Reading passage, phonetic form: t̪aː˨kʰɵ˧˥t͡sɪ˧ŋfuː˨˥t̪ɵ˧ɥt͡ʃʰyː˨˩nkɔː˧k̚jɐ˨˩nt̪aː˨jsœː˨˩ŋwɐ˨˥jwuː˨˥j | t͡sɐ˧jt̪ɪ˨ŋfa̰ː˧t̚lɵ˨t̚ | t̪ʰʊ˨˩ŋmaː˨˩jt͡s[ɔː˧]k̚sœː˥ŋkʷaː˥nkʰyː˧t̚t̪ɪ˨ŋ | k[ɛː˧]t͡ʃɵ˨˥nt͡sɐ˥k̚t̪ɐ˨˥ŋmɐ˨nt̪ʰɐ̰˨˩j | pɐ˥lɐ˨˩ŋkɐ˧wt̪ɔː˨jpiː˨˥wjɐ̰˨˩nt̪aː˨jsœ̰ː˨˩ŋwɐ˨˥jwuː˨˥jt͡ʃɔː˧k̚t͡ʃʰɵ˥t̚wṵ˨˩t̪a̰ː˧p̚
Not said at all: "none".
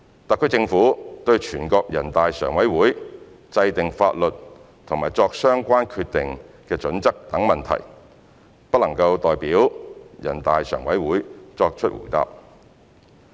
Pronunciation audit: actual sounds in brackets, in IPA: ɔː˧, ɛː˧

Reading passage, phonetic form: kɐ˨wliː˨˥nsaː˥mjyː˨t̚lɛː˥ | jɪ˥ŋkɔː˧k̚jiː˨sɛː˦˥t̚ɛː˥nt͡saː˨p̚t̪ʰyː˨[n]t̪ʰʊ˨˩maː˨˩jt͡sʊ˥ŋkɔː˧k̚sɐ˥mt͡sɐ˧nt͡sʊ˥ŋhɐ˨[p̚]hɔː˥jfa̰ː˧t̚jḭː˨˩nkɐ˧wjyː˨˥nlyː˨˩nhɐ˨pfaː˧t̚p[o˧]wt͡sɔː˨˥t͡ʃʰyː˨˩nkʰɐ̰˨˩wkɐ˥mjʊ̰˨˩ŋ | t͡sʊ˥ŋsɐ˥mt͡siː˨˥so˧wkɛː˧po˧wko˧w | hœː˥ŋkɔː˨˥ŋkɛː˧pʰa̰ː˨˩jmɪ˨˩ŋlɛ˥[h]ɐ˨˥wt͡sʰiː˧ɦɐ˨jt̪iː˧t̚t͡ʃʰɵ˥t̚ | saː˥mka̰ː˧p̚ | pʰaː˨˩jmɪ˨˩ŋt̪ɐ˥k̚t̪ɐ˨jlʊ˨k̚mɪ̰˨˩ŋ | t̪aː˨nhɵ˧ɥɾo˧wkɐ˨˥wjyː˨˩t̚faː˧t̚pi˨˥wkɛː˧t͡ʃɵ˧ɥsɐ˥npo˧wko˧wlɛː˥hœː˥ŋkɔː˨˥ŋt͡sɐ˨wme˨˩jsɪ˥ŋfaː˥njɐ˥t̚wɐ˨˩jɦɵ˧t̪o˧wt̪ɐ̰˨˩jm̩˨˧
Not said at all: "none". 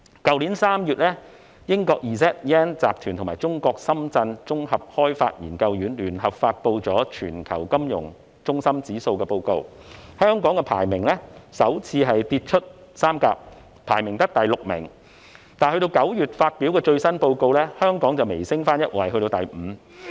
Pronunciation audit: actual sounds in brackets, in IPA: n, p̚, o˧, s

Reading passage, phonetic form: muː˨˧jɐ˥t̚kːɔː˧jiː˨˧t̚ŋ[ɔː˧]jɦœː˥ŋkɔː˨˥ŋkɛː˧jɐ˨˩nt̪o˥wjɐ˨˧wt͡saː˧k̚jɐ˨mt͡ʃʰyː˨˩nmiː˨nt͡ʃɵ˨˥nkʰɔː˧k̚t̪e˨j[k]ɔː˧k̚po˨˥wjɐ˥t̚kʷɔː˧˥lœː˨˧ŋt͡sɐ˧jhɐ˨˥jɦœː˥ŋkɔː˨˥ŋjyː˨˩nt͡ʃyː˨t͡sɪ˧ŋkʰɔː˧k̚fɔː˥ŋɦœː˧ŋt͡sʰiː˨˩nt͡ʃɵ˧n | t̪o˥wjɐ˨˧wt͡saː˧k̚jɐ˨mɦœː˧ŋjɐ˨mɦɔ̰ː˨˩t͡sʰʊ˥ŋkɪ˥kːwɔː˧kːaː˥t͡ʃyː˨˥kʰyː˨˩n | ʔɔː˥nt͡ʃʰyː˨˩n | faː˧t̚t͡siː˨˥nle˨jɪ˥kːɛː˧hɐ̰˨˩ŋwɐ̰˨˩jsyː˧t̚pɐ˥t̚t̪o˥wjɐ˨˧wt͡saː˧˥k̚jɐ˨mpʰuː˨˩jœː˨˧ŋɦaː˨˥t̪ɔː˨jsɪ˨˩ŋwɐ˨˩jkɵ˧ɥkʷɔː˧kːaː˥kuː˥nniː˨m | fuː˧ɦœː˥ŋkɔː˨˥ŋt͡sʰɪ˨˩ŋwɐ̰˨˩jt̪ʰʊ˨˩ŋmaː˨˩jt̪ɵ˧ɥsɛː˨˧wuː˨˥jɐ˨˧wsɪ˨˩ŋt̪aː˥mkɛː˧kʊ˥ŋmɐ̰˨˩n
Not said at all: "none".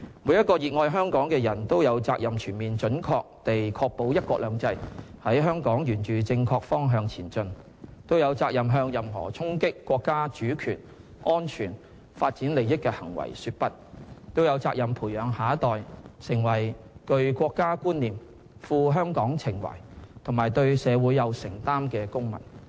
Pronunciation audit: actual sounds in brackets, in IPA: ɔː˧, kʰ

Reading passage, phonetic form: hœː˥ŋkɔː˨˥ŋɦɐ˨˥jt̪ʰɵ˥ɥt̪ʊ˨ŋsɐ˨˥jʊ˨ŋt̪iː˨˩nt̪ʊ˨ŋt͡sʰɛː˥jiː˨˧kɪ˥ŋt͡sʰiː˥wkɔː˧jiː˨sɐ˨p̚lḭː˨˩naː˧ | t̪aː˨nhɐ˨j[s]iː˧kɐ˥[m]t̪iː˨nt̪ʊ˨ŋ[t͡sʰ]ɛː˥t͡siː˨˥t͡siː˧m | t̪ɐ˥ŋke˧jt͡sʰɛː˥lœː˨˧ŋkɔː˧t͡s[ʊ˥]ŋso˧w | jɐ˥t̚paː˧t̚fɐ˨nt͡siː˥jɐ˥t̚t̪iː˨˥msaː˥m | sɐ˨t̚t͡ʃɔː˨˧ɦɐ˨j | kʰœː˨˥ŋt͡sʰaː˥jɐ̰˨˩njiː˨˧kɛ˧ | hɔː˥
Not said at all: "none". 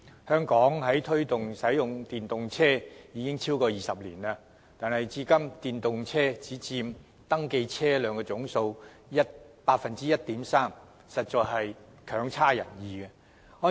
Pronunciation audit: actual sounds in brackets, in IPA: t͡s, m, t͡sʰ, ʊ˨˥

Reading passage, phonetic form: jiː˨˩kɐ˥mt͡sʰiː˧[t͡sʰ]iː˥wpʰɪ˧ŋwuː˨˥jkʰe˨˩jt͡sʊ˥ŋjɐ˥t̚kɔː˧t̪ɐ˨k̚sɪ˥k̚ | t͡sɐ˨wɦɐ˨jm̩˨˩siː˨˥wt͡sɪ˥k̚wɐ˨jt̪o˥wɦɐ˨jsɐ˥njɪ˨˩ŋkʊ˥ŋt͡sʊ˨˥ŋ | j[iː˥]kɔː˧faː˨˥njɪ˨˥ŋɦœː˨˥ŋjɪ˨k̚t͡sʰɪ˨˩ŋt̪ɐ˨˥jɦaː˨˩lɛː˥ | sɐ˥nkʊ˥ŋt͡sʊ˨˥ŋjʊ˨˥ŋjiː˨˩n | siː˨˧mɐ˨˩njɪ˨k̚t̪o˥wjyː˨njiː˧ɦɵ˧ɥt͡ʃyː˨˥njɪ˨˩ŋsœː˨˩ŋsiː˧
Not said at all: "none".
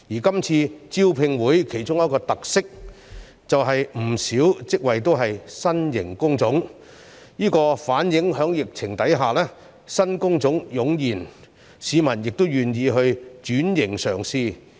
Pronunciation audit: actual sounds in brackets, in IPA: t͡s, iː˥

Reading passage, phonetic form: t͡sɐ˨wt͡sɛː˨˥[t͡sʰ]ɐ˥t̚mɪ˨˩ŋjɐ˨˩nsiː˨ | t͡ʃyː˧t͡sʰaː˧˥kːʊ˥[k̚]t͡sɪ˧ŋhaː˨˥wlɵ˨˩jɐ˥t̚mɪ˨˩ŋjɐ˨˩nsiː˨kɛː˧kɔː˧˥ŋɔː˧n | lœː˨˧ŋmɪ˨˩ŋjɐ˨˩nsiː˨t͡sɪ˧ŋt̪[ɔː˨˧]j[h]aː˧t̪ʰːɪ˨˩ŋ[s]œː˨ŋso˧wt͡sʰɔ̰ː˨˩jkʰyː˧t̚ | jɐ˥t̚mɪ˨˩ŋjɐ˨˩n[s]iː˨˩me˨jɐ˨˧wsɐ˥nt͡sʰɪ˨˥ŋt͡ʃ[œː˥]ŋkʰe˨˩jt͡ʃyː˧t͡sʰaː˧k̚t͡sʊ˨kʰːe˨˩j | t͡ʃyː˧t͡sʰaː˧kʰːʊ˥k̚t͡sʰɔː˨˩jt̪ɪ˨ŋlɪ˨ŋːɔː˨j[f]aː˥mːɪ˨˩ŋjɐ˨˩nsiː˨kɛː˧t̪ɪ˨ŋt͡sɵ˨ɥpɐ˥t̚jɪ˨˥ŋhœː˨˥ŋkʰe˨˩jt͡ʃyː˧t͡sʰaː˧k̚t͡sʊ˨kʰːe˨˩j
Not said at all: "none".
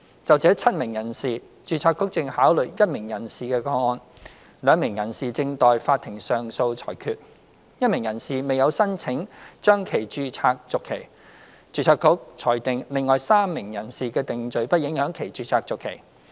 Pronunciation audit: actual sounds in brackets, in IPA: t͡sʰ, k̚, ɔː˨˧, f, s, s, œː˥, s

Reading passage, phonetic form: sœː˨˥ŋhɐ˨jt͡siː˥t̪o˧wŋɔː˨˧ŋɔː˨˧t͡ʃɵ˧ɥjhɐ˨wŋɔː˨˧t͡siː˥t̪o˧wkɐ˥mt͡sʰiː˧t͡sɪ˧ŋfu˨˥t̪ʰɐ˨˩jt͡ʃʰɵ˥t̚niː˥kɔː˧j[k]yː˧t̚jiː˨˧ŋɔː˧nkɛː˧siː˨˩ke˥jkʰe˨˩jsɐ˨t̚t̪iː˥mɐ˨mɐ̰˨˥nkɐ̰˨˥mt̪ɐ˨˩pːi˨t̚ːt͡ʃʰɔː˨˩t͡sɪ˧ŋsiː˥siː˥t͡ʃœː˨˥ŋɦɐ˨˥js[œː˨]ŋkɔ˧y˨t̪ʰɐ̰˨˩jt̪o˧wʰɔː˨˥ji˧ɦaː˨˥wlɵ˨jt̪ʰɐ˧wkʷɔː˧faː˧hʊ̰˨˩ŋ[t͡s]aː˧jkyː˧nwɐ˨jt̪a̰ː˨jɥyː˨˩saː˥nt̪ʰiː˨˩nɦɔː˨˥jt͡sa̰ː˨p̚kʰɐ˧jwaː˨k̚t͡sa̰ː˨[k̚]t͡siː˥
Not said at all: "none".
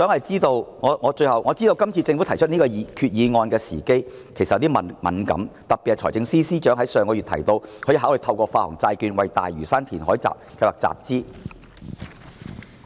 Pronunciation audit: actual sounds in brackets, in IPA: kʰ, œː˨, t͡s, p̚

